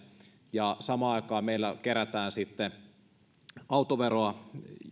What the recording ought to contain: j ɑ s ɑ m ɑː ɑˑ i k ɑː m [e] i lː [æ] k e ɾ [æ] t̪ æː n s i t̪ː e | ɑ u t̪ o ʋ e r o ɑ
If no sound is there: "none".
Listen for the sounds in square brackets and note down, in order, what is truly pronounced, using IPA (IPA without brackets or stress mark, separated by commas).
e, æ, æ